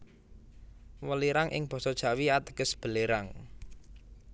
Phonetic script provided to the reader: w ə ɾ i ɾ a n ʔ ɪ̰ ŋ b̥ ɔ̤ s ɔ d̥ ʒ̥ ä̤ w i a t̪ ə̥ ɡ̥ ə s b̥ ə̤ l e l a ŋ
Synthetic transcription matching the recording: w ə l i ɾ a ŋ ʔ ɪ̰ ŋ b̥ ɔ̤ s ɔ d̥ ʒ̥ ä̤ w i a t̪ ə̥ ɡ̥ ə s b̥ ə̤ l e ɾ a ŋ